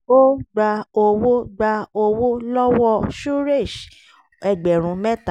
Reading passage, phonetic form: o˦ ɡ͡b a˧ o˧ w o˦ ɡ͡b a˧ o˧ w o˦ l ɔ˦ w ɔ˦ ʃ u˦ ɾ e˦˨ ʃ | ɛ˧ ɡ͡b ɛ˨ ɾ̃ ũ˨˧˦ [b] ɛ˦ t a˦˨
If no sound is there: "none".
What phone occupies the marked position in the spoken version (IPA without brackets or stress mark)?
m